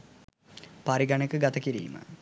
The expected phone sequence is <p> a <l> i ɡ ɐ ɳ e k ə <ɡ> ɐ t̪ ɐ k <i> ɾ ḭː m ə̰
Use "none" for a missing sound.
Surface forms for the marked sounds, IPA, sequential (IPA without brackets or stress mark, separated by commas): p, ɾ, ɡ, i